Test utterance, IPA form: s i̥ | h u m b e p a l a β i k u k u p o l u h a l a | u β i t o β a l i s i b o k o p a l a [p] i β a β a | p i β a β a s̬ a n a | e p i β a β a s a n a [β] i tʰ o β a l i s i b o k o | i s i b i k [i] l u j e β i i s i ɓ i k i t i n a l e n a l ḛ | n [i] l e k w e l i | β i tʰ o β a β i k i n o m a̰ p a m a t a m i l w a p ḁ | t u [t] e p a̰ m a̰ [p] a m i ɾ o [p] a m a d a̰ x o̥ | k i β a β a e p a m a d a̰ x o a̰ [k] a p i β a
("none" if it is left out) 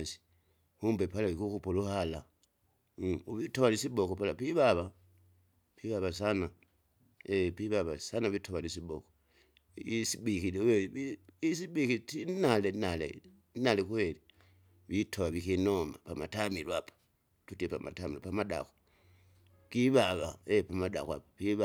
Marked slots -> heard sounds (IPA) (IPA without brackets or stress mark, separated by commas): p, β, i, a, t, t, p, p